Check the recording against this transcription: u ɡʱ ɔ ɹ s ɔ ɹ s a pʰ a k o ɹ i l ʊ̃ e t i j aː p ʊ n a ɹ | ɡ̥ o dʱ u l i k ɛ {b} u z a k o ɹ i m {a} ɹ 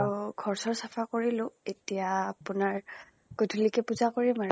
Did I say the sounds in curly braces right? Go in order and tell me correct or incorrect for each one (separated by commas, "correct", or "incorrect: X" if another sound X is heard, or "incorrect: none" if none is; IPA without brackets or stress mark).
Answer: incorrect: p, correct